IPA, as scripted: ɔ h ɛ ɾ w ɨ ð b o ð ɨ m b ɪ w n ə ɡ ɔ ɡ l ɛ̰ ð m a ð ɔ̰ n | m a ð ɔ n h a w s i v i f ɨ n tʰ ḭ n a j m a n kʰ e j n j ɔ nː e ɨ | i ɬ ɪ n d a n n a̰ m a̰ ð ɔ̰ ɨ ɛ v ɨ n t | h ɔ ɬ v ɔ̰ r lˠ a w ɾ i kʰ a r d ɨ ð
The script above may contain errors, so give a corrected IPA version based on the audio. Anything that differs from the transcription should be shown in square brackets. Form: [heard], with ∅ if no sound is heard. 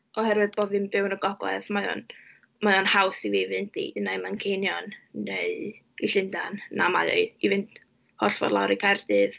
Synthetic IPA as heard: ɔ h ɛ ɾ w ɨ ð b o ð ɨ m b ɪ w n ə ɡ ɔ ɡ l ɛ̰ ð m a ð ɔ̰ n | m a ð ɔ n h a w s i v i [v] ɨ n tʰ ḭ n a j m a n kʰ e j n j ɔ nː e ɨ | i ɬ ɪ n d a n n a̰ m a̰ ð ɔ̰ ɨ [i] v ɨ n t | h ɔ ɬ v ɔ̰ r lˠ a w ɾ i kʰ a r d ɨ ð